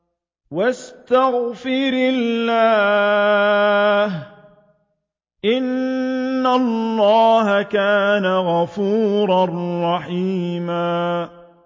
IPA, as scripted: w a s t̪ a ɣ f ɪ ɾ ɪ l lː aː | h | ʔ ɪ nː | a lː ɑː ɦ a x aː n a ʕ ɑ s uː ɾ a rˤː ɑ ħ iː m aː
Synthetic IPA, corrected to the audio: w a s t̪ a ɣ f ɪ ɾ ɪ l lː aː | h | ʔ ɪ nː | a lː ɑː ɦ a k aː n a ɣ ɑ f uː ɾ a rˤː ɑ ħ iː m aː